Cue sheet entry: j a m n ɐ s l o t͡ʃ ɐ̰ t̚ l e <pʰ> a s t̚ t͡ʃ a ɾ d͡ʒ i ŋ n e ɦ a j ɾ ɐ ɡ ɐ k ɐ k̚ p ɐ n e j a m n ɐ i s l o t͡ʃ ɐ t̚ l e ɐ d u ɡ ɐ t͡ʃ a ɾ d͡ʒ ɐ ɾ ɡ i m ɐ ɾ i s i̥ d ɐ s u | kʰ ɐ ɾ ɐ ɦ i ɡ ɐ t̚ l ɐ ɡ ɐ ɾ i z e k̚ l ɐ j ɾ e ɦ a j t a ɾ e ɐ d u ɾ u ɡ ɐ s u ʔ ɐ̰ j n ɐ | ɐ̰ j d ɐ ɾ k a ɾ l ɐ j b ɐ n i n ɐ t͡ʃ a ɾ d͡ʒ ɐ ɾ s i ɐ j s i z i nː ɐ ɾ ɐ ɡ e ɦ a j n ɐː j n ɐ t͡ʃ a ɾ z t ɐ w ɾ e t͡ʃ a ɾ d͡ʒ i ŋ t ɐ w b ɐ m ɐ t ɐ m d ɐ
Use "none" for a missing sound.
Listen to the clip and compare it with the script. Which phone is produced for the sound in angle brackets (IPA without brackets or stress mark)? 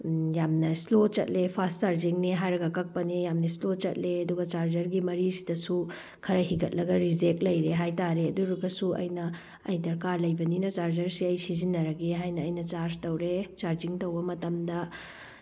pʰ